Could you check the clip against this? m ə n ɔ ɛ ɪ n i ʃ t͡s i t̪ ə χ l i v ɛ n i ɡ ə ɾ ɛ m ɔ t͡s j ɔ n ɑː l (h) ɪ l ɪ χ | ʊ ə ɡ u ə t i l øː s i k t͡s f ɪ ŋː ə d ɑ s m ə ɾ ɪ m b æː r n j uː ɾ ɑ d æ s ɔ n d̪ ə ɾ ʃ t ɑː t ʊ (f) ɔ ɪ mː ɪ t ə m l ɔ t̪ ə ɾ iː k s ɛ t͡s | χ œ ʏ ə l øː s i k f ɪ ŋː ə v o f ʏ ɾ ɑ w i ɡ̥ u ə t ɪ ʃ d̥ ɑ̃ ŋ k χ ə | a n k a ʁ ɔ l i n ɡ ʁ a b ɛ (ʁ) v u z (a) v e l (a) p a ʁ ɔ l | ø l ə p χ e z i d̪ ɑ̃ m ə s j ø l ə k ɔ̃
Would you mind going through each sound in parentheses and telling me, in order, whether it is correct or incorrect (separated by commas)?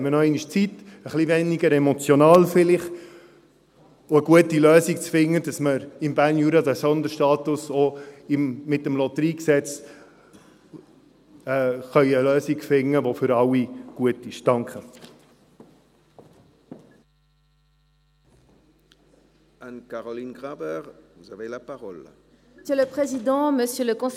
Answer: incorrect, incorrect, correct, correct, correct